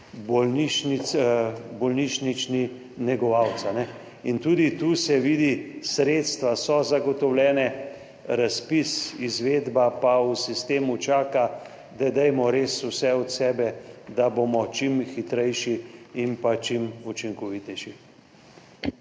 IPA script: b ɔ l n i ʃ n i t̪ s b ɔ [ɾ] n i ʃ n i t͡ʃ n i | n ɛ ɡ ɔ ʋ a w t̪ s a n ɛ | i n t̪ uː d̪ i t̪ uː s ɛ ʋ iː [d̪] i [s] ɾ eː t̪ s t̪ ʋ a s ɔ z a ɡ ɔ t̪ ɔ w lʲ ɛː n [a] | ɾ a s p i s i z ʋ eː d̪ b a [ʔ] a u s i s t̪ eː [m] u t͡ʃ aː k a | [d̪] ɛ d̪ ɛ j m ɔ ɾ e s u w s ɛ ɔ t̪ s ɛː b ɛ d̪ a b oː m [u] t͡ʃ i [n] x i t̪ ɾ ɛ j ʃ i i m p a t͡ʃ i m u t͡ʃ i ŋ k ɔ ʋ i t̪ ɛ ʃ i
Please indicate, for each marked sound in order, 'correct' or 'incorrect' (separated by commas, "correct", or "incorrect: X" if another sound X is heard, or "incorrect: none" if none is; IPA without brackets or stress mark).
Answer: incorrect: l, correct, correct, incorrect: ɛ, incorrect: p, correct, correct, incorrect: ɔ, incorrect: m